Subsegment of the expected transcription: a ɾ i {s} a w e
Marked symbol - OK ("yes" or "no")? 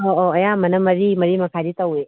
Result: no